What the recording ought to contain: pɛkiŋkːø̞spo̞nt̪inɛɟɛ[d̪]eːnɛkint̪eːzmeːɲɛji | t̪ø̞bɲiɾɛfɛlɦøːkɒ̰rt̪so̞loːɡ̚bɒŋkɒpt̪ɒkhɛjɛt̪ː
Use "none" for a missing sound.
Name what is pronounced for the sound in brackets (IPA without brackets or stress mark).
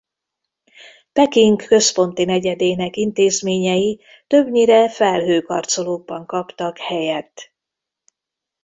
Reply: d̪